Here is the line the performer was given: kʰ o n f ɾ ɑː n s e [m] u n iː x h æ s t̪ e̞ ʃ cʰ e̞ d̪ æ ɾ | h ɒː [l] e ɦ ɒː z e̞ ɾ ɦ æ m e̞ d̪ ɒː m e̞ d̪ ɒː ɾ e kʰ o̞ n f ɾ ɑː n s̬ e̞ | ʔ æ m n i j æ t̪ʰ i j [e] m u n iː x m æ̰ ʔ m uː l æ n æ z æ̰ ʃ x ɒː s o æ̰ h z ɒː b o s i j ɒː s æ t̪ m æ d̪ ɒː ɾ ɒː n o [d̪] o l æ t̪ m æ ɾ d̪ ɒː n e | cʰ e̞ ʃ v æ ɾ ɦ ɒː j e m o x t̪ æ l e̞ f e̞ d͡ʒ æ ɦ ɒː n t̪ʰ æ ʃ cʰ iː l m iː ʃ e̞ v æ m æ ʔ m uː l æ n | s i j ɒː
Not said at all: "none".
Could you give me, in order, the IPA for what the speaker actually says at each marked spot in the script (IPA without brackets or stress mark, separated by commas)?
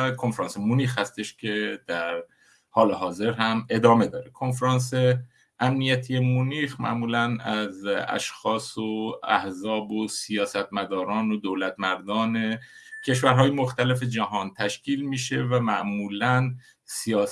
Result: m, l, e, d̪